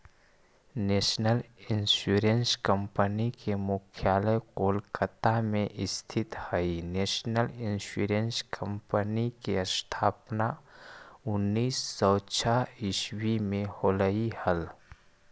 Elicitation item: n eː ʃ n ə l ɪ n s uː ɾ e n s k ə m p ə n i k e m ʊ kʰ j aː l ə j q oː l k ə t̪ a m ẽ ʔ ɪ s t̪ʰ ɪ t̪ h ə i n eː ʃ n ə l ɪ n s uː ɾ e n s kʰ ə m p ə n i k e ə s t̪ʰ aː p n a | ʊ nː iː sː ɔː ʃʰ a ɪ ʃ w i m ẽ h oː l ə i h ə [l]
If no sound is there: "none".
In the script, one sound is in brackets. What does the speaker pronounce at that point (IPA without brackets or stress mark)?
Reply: l